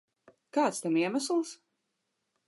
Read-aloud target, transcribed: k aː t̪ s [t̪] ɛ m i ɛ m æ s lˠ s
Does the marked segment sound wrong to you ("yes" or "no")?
no